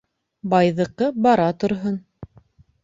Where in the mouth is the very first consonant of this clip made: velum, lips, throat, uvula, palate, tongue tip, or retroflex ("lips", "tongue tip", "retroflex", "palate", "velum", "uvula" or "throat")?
lips